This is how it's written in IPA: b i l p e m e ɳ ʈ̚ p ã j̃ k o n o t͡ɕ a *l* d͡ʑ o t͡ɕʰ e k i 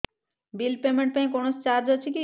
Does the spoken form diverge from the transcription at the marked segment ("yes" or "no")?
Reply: yes